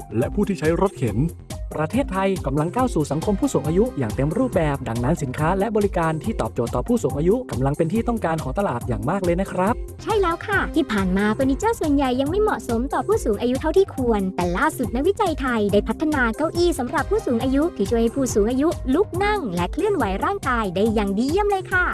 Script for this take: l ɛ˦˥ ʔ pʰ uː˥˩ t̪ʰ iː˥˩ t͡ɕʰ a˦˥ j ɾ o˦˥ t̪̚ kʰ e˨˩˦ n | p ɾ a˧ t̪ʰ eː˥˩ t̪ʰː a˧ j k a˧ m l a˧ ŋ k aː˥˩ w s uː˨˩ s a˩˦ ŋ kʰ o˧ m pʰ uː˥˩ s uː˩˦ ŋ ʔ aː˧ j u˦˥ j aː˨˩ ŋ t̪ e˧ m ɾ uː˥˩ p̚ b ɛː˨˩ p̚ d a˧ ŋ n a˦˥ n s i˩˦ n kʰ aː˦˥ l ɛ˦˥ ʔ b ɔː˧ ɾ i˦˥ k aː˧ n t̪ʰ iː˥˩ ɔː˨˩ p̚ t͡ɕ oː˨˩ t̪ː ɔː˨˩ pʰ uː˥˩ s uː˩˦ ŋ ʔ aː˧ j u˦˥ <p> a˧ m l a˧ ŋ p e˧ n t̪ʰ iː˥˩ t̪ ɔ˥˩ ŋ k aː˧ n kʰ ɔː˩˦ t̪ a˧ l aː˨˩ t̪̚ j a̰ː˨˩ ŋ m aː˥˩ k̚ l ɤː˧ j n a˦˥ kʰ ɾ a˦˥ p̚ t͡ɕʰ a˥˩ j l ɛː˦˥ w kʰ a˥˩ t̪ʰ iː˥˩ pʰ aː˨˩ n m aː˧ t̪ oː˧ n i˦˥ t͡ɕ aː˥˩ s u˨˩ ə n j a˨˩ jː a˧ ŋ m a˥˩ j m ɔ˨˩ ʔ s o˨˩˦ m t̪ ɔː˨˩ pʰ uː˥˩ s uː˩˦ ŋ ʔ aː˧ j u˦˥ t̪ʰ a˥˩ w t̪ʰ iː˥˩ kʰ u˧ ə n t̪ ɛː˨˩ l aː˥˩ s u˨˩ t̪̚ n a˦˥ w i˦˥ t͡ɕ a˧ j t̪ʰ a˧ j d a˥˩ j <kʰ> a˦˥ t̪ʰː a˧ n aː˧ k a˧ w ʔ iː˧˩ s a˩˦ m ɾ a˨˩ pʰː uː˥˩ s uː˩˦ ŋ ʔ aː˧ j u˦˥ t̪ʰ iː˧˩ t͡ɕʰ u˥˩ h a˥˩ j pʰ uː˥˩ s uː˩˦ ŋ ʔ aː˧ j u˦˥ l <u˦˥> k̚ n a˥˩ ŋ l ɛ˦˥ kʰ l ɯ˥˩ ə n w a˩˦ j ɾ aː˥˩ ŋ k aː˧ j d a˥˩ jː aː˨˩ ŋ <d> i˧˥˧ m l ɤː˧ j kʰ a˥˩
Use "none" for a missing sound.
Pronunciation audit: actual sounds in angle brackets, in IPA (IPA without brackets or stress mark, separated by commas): k, pʰ, u˦˥, d